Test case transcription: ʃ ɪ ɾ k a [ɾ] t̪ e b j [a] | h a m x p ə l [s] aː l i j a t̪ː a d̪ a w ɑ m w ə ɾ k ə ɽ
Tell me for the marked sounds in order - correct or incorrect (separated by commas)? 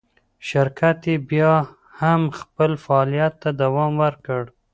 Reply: incorrect, incorrect, incorrect